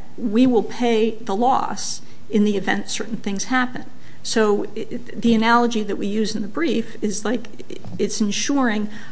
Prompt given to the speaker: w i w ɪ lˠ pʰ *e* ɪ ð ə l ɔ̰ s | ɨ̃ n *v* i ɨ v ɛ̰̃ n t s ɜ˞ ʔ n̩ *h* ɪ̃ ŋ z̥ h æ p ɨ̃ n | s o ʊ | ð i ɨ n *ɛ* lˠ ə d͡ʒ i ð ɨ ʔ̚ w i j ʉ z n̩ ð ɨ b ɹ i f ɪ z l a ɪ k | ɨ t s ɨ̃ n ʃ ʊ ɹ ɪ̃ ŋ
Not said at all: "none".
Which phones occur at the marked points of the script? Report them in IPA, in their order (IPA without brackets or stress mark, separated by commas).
e, ð, θ, æ